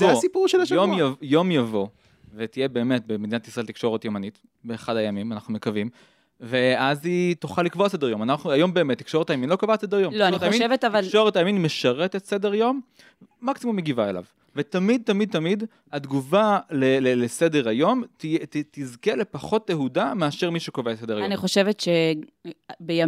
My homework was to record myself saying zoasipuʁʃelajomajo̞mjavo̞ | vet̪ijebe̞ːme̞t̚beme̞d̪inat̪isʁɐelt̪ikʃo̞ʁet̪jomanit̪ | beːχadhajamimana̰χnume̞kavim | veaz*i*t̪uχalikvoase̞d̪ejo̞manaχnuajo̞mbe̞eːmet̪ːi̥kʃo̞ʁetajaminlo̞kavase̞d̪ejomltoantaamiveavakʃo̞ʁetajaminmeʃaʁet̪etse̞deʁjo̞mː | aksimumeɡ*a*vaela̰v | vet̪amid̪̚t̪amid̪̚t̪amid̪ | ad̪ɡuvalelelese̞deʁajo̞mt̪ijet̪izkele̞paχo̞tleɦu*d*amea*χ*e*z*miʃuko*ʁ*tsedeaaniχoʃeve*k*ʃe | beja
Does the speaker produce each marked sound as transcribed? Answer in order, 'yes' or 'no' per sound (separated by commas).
yes, no, yes, no, no, no, no